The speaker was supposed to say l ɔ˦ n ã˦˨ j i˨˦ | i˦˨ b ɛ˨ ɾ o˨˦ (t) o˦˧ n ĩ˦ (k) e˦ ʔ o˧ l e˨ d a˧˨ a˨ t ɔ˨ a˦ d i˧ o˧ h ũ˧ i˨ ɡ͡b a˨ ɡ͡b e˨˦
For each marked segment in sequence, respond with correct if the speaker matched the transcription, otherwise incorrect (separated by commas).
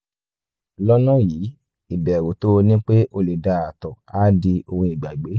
correct, incorrect